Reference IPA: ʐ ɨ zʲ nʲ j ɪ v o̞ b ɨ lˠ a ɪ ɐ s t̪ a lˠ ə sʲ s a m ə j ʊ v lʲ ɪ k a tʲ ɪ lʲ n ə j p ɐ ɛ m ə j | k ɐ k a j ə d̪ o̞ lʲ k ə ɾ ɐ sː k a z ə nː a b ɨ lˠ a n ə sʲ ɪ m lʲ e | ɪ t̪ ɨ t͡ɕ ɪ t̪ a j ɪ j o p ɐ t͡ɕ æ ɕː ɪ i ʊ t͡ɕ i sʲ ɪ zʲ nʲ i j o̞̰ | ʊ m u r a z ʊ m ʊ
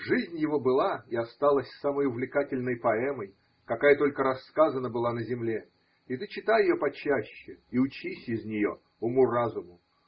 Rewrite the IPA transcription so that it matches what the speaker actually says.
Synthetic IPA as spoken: ʐ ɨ zʲ nʲ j ɪ v o̞ b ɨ lˠ a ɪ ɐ s t̪ a lˠ ə sʲ s a m ə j ʊ v lʲ ɪ k a tʲ ɪ lʲ n ə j p ɐ ɛ m ə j | k ɐ k a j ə t̪ o̞ lʲ k ə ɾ ɐ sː k a z ə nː ə b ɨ lˠ a n ə zʲ ɪ m lʲ e | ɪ t̪ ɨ t͡ɕ ɪ t̪ a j ɪ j o p ɐ t͡ɕ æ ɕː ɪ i ʊ t͡ɕ i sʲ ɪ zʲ nʲ ɪ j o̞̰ | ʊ m u r a z ʊ m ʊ